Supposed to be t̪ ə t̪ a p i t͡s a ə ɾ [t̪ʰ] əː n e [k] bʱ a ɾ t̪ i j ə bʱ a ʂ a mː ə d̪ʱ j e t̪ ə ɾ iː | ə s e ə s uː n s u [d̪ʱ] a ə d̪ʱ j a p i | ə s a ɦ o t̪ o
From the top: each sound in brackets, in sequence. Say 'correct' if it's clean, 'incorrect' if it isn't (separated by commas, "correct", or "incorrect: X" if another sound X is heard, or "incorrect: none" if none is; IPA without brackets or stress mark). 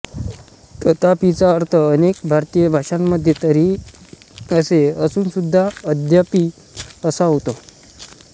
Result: correct, correct, incorrect: d̪ʱː